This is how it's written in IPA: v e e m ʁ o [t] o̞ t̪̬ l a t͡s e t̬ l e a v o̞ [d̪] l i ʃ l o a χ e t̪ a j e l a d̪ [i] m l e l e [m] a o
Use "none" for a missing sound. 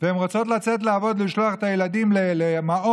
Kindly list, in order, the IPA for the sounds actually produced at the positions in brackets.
t͡s, d̪, i, m

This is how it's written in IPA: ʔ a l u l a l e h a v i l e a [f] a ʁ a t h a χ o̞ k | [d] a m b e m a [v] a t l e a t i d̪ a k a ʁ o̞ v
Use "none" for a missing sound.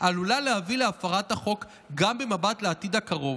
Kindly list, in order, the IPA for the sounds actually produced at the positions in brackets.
f, ɡ, b

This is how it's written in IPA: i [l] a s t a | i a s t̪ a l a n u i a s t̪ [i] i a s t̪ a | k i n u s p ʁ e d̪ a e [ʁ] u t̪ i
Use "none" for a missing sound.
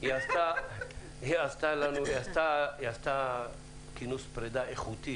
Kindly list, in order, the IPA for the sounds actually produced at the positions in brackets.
none, a, χ

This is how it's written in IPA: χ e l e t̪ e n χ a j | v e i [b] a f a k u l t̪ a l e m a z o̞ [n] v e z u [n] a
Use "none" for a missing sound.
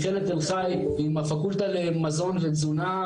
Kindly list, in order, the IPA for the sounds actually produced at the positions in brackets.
m, n, n

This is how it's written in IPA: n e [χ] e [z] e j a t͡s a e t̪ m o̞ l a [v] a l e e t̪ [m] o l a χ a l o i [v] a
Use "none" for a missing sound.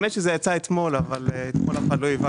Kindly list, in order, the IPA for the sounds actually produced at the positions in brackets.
ʃ, z, v, m, v

